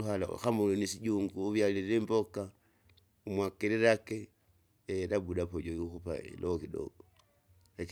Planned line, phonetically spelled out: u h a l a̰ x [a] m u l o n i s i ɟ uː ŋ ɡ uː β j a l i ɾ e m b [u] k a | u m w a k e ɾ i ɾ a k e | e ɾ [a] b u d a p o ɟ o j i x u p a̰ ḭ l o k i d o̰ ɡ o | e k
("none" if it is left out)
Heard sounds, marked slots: a, o, a

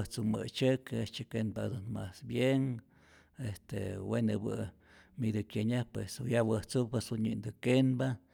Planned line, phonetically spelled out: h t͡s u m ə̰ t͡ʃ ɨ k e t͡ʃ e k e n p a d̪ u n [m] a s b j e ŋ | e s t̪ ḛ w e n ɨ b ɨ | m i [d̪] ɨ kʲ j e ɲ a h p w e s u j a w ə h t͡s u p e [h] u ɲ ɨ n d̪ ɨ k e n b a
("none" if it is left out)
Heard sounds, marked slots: m, d̪, s

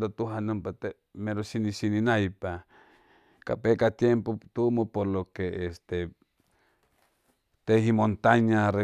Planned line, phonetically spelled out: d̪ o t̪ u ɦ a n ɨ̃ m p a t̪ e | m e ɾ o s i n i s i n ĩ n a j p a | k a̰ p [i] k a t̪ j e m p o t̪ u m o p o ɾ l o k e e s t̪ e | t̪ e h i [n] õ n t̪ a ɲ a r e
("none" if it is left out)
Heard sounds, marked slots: e, m

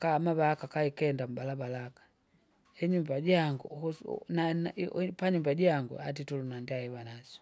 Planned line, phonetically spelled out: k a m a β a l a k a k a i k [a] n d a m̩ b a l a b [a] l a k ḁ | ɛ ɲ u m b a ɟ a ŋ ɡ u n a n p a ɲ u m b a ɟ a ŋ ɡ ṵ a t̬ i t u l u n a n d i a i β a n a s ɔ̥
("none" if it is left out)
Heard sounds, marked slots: ɛ, a

